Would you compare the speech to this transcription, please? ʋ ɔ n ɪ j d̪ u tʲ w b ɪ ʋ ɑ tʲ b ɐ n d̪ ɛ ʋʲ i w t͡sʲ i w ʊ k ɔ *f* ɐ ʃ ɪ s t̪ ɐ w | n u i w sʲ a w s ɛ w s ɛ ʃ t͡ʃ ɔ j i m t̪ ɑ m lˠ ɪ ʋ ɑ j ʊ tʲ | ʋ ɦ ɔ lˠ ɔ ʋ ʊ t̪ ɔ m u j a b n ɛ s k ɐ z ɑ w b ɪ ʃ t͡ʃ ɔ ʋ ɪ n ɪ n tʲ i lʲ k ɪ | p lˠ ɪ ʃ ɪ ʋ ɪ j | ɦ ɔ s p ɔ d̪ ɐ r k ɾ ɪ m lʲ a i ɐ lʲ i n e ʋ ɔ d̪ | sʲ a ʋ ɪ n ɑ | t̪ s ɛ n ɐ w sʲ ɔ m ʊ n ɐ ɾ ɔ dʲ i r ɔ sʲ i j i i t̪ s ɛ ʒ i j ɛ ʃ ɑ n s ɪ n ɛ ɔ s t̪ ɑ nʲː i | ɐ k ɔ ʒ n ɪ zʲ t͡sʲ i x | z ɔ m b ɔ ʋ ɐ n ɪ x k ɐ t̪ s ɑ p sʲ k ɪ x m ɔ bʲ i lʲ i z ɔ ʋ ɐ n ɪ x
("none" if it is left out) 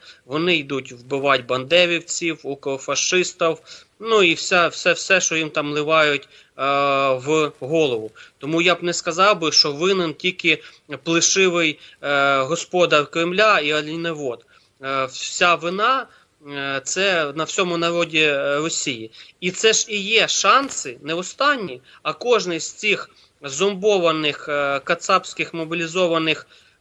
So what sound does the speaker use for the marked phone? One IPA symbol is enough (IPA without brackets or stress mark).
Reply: f